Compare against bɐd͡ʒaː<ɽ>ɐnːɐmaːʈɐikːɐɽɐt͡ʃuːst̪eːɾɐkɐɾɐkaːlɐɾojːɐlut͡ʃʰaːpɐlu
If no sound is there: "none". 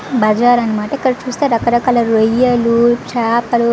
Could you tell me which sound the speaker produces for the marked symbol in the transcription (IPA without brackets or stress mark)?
ɾ